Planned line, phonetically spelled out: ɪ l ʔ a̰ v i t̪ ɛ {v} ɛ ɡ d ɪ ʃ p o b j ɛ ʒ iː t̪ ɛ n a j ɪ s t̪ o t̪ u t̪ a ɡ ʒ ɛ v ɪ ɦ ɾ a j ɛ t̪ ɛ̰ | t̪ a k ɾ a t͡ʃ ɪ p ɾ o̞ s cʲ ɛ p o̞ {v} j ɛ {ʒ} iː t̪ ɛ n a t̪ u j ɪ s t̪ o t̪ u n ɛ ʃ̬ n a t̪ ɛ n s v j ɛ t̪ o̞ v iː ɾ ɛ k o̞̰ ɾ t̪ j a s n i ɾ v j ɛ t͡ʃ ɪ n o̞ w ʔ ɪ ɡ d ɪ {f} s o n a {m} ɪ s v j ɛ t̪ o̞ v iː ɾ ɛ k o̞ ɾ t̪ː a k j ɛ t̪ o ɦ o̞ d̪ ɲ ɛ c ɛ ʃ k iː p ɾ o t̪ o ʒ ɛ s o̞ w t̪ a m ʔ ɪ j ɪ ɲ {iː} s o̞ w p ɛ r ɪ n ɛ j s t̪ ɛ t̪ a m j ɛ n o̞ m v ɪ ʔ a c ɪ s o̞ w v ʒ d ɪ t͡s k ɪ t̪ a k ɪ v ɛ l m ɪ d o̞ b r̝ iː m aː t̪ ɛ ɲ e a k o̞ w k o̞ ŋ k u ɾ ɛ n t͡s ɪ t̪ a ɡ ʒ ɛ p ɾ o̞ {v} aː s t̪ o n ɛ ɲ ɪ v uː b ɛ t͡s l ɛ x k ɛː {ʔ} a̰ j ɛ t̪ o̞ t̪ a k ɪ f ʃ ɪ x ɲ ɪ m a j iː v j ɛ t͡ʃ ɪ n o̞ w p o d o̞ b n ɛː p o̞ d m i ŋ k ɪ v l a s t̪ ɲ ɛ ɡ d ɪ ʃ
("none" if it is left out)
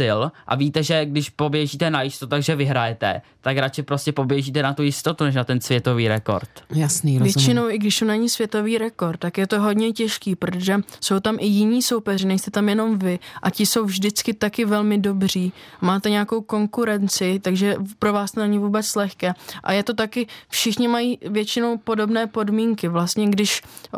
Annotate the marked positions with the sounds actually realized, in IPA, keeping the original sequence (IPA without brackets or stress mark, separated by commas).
ʒ, b, ʒ, ʃ, ɲ, iː, v, ʔ